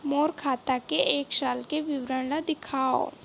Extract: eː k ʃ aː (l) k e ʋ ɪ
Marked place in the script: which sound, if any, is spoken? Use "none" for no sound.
l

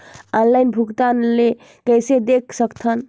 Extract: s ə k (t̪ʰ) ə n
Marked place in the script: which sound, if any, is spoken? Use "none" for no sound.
t̪ʰ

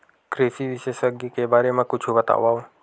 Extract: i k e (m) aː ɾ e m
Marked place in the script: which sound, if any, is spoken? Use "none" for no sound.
b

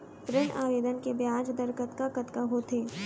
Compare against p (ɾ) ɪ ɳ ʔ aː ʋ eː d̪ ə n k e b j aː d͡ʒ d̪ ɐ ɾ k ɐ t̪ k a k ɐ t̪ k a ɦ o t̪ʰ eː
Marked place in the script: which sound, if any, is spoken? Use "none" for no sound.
ɾ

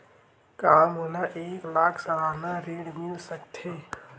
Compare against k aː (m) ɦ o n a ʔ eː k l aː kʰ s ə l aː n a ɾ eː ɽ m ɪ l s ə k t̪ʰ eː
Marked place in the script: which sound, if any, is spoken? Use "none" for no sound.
m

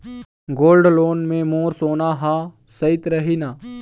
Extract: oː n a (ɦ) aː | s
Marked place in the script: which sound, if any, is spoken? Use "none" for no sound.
ɦ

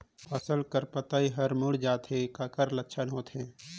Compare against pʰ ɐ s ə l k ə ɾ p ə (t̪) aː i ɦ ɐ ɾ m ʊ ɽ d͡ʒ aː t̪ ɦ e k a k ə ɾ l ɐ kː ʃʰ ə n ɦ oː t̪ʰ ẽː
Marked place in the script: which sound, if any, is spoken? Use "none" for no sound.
t̪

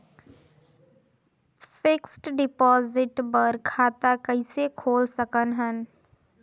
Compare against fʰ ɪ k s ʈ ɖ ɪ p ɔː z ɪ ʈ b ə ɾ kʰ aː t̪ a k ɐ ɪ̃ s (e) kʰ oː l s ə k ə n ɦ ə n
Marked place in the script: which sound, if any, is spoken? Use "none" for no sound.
e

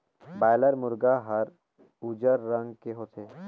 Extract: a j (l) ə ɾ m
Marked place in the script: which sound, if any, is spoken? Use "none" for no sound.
l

